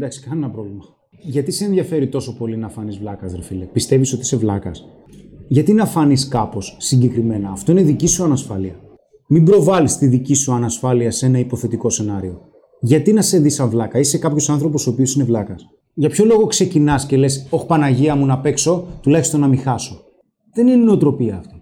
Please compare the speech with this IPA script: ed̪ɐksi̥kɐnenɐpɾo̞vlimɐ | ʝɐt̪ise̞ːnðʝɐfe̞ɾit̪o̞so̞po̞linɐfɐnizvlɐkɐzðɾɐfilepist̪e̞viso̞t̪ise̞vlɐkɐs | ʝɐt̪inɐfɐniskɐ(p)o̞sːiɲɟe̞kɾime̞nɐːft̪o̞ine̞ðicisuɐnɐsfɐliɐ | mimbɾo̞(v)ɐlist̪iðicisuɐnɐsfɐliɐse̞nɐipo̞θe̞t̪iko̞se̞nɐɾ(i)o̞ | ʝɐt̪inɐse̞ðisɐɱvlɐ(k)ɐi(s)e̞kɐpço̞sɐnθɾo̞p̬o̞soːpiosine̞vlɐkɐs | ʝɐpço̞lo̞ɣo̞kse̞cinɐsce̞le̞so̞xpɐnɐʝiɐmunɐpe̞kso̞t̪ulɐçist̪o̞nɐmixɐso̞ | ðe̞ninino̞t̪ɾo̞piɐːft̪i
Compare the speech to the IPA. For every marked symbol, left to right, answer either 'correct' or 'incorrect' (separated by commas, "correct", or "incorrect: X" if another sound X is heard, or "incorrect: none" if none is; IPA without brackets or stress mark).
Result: correct, correct, correct, correct, correct